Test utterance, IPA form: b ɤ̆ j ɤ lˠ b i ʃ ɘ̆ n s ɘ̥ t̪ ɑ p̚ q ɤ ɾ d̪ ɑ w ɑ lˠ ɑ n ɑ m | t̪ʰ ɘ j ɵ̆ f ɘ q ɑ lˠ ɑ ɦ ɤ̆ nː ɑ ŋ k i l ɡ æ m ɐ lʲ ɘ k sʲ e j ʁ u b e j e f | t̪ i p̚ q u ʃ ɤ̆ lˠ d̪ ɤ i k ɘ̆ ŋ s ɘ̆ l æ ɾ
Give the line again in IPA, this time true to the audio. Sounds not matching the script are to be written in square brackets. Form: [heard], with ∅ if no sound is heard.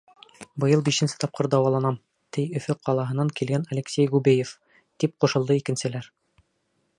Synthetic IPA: b ɤ̆ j ɤ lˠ b i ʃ ɘ̆ n s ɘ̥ t̪ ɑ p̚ q ɤ ɾ d̪ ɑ w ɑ lˠ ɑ n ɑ m | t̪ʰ ɘ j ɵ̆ f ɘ q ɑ lˠ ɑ ɦ ɤ̆ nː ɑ ŋ k i l ɡ æ [n] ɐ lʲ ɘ k sʲ e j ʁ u b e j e f | t̪ i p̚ q u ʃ ɤ̆ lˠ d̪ ɤ i k ɘ̆ [n] s ɘ̆ l æ ɾ